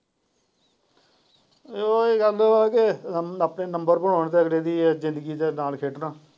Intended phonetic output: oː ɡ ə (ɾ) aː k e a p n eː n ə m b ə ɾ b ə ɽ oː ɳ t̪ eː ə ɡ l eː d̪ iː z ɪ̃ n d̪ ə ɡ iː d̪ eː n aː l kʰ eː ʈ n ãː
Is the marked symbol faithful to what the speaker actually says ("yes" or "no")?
no